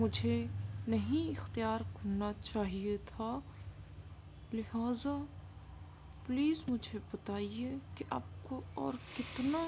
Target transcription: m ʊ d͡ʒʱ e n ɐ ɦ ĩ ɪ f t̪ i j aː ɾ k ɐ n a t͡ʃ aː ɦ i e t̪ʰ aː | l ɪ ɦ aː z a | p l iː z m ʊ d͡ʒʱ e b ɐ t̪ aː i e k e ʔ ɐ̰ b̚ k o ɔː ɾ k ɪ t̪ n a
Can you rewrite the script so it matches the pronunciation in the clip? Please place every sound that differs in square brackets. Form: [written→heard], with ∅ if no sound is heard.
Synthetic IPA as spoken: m ʊ d͡ʒʱ e n ɐ ɦ ĩ ɪ [f→x] t̪ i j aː ɾ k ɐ n a t͡ʃ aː ɦ i e t̪ʰ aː | l ɪ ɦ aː z a | p l iː z m ʊ d͡ʒʱ e b ɐ t̪ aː i e k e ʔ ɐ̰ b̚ k o ɔː ɾ k ɪ t̪ n a